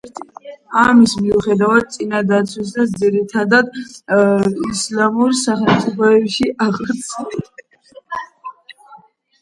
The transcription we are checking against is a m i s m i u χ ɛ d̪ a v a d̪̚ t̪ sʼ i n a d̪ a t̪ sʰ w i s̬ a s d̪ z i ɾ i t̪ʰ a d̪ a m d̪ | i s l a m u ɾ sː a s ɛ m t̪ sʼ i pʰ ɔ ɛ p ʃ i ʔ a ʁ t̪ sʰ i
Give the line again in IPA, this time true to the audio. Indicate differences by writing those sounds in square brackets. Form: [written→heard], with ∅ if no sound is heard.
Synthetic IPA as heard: a m i s m i u χ ɛ d̪ a v a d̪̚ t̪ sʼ i n a d̪ a t̪ sʰ w i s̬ a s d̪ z i ɾ i t̪ʰ a d̪ a [m→∅] d̪ | i s l a m u ɾ [sː→s] a [s→χ] ɛ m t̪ sʼ i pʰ ɔ ɛ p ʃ i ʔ a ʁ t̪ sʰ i

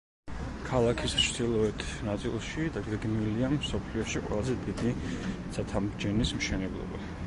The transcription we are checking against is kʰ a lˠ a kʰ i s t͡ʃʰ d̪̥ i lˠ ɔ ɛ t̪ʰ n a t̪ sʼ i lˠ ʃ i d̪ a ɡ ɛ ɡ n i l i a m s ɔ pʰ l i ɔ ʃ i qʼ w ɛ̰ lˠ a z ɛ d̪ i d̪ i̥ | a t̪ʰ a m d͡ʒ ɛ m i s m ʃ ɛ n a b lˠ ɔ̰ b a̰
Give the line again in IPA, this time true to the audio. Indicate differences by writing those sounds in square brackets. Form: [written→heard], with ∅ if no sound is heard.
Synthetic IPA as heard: kʰ a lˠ a kʰ i s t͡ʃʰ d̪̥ i lˠ ɔ ɛ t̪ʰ n a t̪ sʼ i lˠ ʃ i d̪ a ɡ ɛ ɡ n i l i a m s ɔ pʰ l i ɔ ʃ i qʼ w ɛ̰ lˠ a z ɛ d̪ i d̪ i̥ | a t̪ʰ a m d͡ʒ ɛ [m→n] i s m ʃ ɛ n [a→ɛ] b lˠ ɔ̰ b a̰

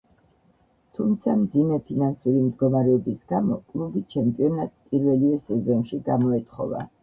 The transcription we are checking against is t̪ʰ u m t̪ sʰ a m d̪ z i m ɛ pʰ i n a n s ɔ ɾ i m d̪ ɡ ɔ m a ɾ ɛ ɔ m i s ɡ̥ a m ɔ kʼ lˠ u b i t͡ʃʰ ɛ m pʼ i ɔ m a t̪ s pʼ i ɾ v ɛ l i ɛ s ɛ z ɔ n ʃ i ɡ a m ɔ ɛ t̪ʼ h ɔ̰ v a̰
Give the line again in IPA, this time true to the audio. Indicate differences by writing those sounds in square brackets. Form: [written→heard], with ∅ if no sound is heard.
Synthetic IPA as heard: t̪ʰ u m t̪ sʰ a m d̪ z i m ɛ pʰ i n a n s [ɔ→u] ɾ i m d̪ ɡ ɔ m a ɾ ɛ ɔ [m→b] i s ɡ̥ a m ɔ kʼ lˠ u b i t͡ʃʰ ɛ m pʼ i ɔ [m→n] a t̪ s pʼ i ɾ v ɛ l i ɛ s ɛ z ɔ n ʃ i ɡ a m ɔ ɛ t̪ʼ [h→χ] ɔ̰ v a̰

